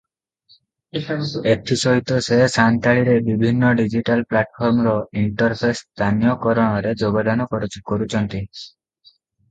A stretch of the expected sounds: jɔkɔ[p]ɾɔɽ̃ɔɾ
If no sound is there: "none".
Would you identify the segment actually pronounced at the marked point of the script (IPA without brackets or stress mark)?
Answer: none